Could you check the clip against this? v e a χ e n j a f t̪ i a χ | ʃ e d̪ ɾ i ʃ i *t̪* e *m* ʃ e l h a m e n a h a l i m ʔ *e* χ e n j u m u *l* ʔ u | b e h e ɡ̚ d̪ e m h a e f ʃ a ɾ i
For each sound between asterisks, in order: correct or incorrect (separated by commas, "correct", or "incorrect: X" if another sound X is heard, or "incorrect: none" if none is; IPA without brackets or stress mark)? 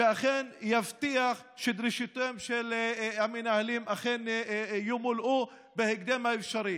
correct, correct, incorrect: a, correct